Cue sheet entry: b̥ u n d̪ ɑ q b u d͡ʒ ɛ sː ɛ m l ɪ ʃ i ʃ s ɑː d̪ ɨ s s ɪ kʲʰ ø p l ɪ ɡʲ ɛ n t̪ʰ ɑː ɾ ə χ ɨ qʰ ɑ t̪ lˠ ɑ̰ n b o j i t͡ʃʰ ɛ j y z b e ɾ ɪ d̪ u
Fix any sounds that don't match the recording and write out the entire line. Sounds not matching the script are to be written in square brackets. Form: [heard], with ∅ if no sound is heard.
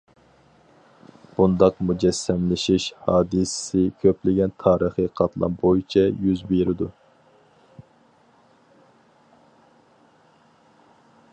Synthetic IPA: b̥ u n d̪ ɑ q [m] u d͡ʒ ɛ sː ɛ m l ɪ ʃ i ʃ [h] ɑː d̪ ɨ s s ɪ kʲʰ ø p l ɪ ɡʲ ɛ n t̪ʰ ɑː ɾ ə χ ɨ qʰ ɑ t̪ lˠ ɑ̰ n b o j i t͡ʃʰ ɛ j y z b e ɾ ɪ d̪ u